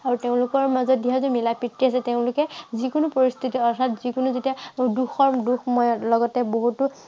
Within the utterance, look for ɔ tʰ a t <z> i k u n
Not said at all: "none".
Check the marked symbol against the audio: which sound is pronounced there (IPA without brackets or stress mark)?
z